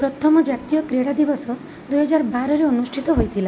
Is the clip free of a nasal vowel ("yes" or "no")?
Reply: yes